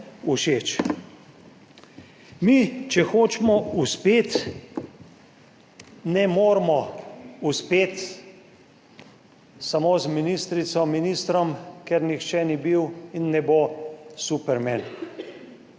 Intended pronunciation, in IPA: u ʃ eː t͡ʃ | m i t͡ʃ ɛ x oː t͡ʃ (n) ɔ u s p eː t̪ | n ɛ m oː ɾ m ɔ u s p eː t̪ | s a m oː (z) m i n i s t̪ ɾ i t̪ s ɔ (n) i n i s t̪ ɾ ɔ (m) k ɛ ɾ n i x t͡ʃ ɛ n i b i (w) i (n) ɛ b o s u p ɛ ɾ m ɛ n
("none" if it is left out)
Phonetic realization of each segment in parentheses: m, z, m, m, w, nː

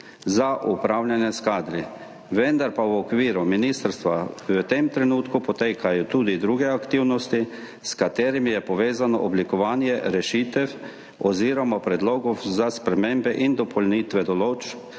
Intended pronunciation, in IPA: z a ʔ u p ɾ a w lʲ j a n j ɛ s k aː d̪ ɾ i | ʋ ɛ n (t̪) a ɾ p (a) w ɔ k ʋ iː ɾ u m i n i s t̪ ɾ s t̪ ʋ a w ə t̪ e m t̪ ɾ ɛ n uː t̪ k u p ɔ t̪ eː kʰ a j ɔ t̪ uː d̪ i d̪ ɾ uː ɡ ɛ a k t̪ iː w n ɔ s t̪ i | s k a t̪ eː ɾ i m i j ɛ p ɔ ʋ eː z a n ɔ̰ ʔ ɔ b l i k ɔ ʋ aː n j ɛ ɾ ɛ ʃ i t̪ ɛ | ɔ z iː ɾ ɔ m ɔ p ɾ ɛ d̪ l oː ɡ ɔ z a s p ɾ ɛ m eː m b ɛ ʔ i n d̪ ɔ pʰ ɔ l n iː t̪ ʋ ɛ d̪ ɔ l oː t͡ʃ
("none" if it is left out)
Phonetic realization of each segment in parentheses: d̪, a

